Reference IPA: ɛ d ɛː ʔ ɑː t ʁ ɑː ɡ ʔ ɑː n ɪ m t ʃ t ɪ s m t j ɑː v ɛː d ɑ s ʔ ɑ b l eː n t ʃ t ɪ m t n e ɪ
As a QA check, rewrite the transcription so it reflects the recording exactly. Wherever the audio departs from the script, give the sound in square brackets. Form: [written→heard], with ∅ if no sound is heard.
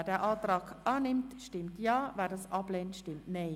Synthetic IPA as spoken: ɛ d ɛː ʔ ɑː t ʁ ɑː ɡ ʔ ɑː n ɪ m t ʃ t ɪ [s→∅] m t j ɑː v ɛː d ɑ s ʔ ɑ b l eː n t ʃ t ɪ m t n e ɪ